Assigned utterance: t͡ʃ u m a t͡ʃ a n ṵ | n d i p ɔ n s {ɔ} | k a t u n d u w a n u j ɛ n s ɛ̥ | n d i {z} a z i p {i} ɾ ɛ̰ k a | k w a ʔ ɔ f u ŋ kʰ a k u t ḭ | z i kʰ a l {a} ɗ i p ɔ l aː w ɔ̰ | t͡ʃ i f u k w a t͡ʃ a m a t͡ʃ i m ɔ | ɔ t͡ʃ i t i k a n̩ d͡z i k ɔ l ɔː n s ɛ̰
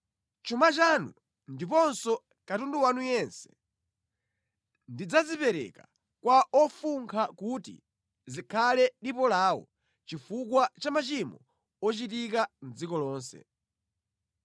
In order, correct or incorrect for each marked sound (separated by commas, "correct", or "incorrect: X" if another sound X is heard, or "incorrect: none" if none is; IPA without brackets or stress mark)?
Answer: correct, incorrect: d͡z, incorrect: ɛ, incorrect: ɛ